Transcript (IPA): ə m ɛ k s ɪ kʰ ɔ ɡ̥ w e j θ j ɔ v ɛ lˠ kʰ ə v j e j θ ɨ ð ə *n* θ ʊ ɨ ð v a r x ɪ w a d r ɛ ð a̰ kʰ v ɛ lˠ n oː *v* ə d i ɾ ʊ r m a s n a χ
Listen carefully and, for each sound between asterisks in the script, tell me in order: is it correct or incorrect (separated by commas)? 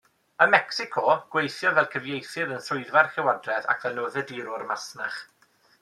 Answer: correct, incorrect